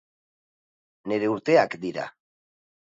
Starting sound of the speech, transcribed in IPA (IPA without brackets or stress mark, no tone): n